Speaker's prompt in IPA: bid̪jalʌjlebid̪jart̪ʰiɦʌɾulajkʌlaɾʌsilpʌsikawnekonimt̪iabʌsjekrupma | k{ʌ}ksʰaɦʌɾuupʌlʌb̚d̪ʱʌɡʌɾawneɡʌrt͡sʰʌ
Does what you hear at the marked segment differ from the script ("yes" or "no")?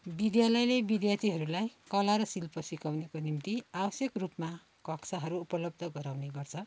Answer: no